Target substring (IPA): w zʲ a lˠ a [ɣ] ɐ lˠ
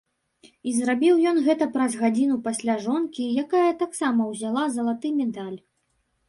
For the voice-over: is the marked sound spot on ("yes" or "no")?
no